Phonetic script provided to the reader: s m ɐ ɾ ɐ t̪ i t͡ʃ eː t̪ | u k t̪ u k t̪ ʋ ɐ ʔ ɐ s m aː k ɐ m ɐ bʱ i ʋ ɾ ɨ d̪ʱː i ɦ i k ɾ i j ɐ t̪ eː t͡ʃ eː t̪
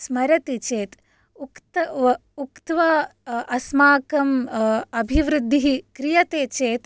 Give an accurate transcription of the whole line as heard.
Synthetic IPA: s m ɐ ɾ ɐ t̪ i t͡ʃ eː t̪ | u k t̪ u k t̪ ʋ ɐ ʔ ɐ s m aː k ɐ m ɐ bʱ i ʋ ɾ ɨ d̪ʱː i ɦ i k ɾ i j ɐ t̪ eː t͡ʃ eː t̪